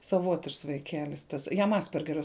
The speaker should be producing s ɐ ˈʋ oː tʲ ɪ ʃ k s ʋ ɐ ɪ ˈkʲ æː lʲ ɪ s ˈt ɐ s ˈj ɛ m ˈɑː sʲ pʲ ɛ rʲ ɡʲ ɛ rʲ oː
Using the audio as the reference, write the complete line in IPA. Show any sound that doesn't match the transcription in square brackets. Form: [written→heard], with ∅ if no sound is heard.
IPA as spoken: s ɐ ˈʋ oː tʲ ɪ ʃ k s ʋ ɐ ɪ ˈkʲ æː lʲ ɪ s ˈt ɐ s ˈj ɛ m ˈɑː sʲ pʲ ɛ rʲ ɡʲ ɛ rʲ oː

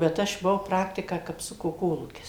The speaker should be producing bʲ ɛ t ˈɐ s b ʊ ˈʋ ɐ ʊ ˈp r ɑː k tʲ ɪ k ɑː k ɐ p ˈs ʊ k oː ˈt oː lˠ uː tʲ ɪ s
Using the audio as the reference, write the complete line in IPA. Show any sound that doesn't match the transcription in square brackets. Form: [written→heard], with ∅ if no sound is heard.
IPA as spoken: bʲ ɛ t ˈɐ [s→ʃ] b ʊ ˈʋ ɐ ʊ ˈp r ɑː k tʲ ɪ k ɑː k ɐ p ˈs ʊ k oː [ˈt→ˈk] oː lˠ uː [tʲ→kʲ] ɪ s

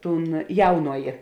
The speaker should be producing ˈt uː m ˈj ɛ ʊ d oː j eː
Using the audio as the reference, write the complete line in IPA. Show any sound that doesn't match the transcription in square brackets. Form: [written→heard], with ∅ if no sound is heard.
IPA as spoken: ˈt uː [m→n] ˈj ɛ ʊ [d→n] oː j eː

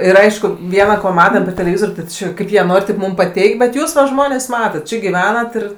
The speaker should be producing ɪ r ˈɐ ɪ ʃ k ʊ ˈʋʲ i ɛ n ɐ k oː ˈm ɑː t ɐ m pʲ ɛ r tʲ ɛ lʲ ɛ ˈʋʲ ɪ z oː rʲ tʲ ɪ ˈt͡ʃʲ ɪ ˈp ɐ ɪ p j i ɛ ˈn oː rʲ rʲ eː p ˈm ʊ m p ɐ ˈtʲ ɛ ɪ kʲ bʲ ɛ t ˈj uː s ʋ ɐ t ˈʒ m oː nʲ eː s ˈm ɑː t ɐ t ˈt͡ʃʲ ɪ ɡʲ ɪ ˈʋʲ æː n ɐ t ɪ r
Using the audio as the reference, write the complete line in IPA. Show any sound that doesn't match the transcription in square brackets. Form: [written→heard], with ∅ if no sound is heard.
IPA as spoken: ɪ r ˈɐ ɪ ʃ k ʊ ˈʋʲ i ɛ n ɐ k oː ˈm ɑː t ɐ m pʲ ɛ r tʲ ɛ lʲ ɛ ˈʋʲ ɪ z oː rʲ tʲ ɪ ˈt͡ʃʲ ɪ [ˈp→ˈk] ɐ ɪ p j i ɛ ˈn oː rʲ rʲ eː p ˈm ʊ m p ɐ ˈtʲ ɛ ɪ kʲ bʲ ɛ t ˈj uː s ʋ ɐ [t→∅] ˈʒ m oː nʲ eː s ˈm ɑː t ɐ t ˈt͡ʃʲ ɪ ɡʲ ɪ ˈʋʲ æː n ɐ t ɪ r

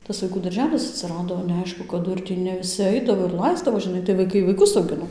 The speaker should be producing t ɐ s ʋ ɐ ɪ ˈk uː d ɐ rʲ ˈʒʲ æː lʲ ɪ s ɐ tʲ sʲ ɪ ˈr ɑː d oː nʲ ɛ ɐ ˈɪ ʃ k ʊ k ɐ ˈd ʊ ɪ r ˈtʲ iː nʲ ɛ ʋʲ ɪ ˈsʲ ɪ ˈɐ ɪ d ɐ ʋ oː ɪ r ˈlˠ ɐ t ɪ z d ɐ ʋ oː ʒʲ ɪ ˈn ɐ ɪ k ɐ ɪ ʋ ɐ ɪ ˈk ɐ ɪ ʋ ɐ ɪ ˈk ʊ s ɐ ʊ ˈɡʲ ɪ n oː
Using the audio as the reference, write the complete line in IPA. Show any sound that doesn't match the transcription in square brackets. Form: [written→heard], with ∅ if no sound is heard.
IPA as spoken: t ɐ s ʋ ɐ ɪ ˈk uː d ɐ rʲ ˈʒʲ æː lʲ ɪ s ɐ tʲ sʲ ɪ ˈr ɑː d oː nʲ ɛ ɐ ˈɪ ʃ k ʊ k ɐ ˈd ʊ ɪ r ˈtʲ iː nʲ ɛ ʋʲ ɪ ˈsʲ ɪ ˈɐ ɪ d ɐ ʋ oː ɪ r ˈlˠ ɐ [t→∅] ɪ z d ɐ ʋ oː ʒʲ ɪ ˈn ɐ ɪ [k→t] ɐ ɪ ʋ ɐ ɪ ˈk ɐ ɪ ʋ ɐ ɪ ˈk ʊ s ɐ ʊ ˈɡʲ ɪ n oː

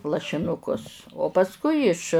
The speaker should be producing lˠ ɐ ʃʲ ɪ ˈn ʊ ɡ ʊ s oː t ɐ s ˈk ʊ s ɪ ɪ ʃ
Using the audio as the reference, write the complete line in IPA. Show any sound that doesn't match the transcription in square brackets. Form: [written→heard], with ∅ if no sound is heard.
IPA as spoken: lˠ ɐ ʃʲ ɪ ˈn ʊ [ɡ→k] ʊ s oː [t→p] ɐ s ˈk ʊ [s→∅] ɪ ɪ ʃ

